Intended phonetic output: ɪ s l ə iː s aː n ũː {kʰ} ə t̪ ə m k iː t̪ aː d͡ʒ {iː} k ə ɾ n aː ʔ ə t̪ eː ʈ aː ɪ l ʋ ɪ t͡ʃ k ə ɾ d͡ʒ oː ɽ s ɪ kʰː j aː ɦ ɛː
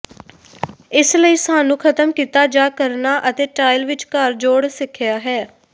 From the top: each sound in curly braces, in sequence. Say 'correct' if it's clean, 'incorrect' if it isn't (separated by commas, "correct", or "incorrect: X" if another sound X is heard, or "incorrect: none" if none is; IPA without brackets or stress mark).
correct, incorrect: aː